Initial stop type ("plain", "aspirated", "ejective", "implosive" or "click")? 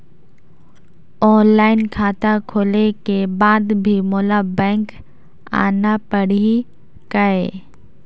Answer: aspirated